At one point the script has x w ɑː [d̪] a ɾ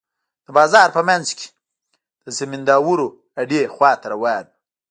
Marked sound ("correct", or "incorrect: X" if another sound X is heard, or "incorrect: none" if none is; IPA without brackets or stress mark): incorrect: t̪